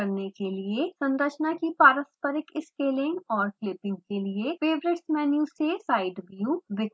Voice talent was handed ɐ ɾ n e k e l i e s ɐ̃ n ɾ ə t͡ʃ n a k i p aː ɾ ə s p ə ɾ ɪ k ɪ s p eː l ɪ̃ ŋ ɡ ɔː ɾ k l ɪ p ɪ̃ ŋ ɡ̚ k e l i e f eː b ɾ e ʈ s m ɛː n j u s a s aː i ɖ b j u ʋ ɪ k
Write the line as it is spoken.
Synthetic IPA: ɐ ɾ n e k e l i e s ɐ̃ n ɾ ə t͡ʃ n a k i p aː ɾ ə s p ə ɾ ɪ k ɪ s k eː l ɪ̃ ŋ ɡ ɔː ɾ k l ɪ p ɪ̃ ŋ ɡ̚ k e l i e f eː b ɾ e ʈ s m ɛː n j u s e s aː ɪ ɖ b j u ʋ ɪ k

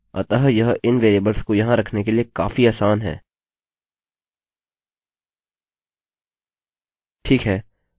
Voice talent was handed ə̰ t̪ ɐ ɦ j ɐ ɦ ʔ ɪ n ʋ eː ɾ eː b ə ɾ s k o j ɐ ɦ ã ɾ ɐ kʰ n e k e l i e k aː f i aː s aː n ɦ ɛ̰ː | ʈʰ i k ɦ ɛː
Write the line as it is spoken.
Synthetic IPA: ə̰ t̪ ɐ ɦ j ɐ ɦ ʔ ɪ n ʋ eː ɾ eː b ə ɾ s k o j ɐ ɦ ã ɾ ɐ kʰ n e k e l i e k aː f i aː s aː n ɦ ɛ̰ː | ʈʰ iː k ɦ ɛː

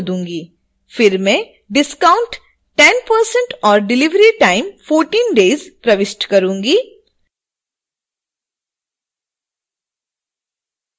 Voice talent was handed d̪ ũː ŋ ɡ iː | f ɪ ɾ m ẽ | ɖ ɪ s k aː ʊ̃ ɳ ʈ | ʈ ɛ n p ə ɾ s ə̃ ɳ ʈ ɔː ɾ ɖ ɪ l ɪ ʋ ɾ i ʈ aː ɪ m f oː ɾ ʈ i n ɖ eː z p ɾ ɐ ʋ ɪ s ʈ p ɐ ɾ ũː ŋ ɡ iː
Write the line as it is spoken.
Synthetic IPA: d̪ ũː ŋ ɡ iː | f ɪ ɾ m ẽ | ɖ ɪ s k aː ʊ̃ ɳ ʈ | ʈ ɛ n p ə ɾ s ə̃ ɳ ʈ ɔː ɾ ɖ ɪ l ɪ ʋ ɾ i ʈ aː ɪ m f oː ɾ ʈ iː n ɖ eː z p ɾ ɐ ʋ ɪ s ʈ k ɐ ɾ ũː ŋ ɡ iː

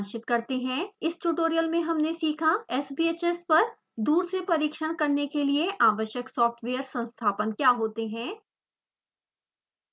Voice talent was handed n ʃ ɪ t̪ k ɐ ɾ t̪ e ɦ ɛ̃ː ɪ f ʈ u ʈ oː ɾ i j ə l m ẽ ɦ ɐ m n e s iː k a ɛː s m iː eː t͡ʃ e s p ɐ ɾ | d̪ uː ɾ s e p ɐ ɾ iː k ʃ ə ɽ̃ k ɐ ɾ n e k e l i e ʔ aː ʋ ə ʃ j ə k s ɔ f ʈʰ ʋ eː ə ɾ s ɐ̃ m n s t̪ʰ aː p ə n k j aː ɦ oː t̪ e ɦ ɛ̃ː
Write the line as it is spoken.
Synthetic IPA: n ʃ ɪ t̪ k ɐ ɾ t̪ e ɦ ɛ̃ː ɪ s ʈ u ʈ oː ɾ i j ə l m ẽ ɦ ɐ m n e s iː kʰ a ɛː s b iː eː t͡ʃ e s p ɐ ɾ | d̪ uː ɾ s e p ɐ ɾ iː k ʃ ə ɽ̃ k ɐ ɾ n e k e l i e ʔ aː ʋ ə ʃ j ə k s ɔː f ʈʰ ʋ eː ə ɾ s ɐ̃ n s t̪ʰ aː p ə n k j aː ɦ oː t̪ e ɦ ɛ̃ː

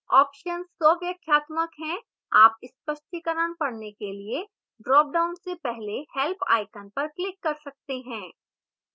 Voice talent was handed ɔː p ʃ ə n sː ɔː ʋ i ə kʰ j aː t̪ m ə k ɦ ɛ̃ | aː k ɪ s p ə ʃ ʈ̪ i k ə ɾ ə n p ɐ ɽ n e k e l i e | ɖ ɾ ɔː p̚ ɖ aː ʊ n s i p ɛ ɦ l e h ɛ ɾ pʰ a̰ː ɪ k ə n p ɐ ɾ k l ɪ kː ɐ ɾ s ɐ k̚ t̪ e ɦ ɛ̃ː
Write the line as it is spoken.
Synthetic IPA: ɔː p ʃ ə n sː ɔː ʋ j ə kʰ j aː t̪ m ə k ɦ ɛ̃ | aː p ɪ s p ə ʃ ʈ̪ i k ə ɾ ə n p ɐ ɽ n e k e l i e | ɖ ɾ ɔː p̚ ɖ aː ʊ n s e p ɛ ɦ l e h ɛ l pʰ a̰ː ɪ k ə n p ɐ ɾ k l ɪ kː ɐ ɾ s ɐ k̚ t̪ e ɦ ɛ̃ː

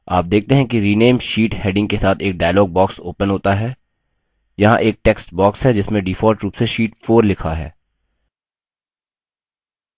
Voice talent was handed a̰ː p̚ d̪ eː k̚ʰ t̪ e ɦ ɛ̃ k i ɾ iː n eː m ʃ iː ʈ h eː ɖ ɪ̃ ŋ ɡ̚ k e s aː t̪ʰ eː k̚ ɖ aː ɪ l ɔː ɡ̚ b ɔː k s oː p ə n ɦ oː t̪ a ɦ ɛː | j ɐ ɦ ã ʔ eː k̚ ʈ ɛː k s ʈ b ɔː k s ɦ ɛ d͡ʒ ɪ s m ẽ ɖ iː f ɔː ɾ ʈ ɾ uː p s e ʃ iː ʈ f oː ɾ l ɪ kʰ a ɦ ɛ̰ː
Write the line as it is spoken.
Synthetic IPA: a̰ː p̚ d̪ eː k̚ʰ t̪ e ɦ ɛ̃ k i ɾ iː n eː m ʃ iː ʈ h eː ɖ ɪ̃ ŋ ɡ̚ k e s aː t̪ʰ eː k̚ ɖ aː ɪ l ɔː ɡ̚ b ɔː k s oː p ə n ɦ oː t̪ a ɦ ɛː | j ɐ ɦ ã ʔ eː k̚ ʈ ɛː k s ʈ b ɔː k s ɦ ɛ d͡ʒ ɪ s m ẽ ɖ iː f ɔː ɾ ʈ ɾ uː p s e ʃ iː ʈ f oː ɾ l ɪ kʰ a ɦ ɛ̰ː

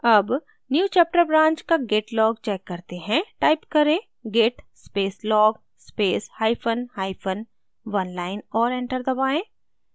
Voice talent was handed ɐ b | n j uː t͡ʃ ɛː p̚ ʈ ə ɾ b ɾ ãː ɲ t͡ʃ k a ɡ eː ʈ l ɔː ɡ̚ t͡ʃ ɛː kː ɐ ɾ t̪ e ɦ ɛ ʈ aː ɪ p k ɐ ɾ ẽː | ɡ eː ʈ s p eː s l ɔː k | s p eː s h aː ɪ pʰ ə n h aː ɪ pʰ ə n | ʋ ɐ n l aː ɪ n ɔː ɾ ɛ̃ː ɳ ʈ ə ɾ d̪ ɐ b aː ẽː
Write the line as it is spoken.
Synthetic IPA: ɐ b | n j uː t͡ʃ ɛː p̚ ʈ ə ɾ b ɾ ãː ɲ t͡ʃ k a ɡ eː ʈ l ɔː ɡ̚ t͡ʃ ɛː kː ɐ ɾ t̪ e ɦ ɛ̃ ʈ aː ɪ p k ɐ ɾ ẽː | ɡ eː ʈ s p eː s l ɔː ɡ | s p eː s h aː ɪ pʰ ə n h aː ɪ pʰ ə n | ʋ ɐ n l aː ɪ n ɔː ɾ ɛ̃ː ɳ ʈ ə ɾ d̪ ɐ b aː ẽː

